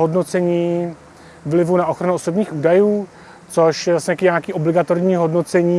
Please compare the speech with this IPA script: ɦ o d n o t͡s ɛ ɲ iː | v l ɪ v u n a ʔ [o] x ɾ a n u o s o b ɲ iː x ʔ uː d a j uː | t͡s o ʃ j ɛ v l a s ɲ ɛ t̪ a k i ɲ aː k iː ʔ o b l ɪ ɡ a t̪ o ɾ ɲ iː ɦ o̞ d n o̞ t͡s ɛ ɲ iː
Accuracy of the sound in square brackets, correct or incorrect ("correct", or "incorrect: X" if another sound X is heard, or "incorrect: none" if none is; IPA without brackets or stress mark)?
correct